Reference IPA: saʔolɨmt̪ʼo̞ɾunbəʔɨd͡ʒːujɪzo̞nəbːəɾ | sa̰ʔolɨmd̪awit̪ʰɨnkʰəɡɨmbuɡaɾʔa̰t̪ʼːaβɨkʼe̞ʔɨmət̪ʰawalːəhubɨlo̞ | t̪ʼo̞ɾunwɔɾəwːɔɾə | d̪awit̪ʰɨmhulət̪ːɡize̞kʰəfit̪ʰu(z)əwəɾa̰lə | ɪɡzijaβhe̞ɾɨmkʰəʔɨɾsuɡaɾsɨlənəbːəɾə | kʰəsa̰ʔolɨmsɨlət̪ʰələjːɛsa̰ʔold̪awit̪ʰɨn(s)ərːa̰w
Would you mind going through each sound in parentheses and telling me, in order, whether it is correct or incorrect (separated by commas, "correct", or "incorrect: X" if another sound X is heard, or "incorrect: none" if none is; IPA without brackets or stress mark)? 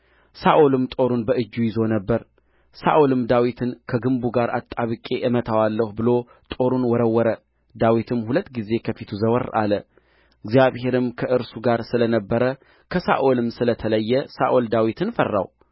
correct, incorrect: f